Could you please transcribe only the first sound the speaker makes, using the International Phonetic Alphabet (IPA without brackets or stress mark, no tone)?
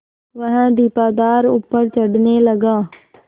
ʋ